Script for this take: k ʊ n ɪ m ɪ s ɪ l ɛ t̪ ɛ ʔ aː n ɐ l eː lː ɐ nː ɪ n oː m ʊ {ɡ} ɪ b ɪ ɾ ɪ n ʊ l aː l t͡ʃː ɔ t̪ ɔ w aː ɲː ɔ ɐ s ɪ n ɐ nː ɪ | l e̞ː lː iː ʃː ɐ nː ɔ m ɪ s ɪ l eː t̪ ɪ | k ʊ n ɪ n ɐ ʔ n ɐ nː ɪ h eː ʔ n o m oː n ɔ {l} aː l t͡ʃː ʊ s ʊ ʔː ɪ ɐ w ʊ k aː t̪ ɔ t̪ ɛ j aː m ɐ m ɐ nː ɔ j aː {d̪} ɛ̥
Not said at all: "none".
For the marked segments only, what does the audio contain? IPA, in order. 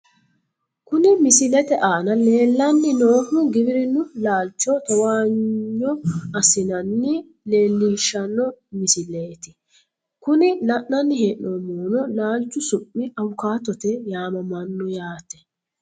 ɡ, l, t̪

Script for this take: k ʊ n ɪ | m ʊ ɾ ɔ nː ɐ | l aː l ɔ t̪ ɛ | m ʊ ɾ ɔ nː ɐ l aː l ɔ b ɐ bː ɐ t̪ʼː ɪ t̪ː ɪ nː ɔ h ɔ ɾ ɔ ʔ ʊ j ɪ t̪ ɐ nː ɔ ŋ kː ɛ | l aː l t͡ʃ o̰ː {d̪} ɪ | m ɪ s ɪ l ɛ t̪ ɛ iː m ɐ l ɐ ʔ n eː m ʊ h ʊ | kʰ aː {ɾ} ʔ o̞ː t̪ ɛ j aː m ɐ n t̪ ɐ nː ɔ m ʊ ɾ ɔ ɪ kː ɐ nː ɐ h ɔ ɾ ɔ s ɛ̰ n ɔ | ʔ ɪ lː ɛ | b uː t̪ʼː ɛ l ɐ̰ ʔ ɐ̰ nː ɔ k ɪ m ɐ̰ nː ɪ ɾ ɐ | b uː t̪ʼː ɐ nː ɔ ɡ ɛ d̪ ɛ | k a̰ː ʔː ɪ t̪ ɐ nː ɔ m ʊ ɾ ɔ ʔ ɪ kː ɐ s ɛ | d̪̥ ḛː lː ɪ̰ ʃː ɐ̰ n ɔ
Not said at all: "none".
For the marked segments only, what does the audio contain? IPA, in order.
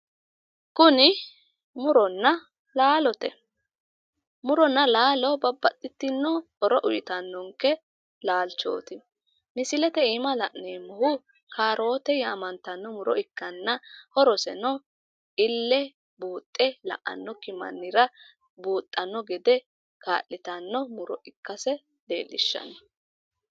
t̪, ɾ

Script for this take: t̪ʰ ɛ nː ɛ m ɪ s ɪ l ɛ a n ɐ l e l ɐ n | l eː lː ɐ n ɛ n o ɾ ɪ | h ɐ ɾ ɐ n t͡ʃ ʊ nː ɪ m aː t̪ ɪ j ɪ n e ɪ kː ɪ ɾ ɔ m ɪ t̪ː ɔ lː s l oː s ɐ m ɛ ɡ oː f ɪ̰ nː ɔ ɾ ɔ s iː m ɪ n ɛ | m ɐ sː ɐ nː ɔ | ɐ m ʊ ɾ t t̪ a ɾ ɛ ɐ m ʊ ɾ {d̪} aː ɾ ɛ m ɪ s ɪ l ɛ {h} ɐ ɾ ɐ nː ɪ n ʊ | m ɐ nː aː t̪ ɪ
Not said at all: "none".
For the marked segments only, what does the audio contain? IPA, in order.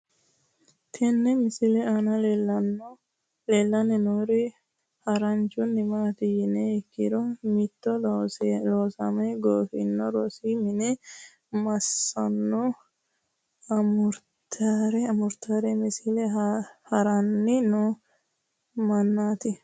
t̪, h

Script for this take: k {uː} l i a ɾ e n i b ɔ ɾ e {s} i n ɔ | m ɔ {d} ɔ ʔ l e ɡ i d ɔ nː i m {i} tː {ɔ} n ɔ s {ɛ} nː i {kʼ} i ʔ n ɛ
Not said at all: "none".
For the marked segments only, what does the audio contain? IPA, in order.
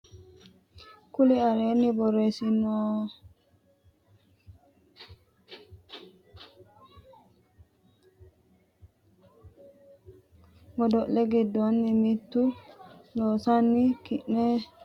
u, s, d, i, u, a, k

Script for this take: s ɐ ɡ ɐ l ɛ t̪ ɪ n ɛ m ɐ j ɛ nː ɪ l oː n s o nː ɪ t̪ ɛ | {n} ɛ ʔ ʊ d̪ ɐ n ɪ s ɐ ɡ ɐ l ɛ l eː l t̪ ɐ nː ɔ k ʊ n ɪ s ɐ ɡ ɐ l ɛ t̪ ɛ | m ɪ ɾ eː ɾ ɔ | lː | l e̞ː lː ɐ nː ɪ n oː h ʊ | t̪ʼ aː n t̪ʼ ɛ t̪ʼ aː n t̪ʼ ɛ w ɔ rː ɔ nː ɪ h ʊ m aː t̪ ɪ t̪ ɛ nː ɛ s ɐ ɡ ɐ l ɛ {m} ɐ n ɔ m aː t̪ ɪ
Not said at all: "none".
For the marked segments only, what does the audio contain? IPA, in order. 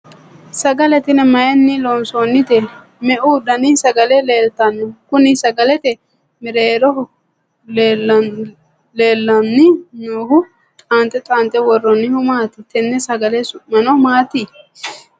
m, m

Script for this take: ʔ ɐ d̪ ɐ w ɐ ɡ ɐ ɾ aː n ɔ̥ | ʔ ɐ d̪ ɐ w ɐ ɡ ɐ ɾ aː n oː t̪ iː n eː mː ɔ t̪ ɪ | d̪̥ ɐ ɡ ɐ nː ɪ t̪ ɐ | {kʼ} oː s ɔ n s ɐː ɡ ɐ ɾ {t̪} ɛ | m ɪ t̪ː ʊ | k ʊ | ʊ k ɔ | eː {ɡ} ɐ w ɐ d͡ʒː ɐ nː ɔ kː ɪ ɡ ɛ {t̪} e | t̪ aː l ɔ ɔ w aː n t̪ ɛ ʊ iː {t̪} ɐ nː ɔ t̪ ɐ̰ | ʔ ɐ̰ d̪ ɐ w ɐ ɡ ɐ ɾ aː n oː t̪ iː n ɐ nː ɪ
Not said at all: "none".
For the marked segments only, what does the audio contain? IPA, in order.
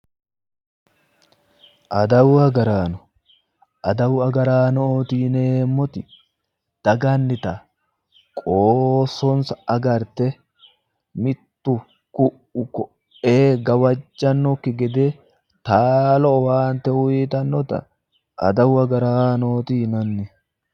kʼ, t̪, ɡ, d̪, t̪

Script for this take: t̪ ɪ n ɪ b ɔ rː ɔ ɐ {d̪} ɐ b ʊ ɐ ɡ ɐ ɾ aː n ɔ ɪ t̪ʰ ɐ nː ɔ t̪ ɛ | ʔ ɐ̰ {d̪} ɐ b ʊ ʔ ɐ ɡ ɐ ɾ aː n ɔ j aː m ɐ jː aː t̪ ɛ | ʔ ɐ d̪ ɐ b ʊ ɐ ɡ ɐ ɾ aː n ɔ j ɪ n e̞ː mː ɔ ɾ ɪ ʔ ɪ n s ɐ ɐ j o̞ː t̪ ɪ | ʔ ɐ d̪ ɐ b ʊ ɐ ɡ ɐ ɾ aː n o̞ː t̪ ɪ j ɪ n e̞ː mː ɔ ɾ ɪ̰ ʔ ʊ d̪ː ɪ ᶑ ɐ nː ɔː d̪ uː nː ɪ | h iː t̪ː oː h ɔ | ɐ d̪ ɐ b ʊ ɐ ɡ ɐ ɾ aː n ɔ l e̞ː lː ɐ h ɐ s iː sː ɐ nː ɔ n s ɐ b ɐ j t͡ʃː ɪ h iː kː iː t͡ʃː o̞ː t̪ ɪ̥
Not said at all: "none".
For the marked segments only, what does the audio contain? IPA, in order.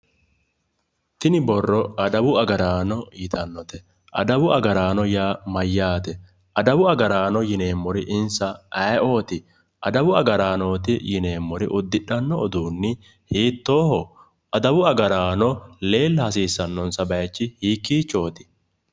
d̪, d̪

